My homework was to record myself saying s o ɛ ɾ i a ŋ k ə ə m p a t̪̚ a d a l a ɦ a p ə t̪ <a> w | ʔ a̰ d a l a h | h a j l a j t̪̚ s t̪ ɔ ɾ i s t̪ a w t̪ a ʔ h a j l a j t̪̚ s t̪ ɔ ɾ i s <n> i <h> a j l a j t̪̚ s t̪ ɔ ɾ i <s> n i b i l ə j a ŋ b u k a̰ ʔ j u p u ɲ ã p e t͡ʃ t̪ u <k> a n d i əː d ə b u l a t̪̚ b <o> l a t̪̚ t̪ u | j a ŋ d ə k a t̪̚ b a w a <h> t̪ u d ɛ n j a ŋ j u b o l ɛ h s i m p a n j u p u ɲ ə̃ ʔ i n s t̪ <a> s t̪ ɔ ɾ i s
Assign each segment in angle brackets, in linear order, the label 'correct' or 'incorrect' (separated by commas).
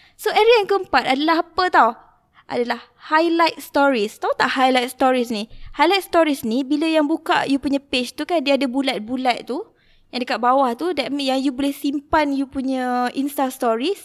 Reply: correct, correct, correct, correct, correct, incorrect, correct, correct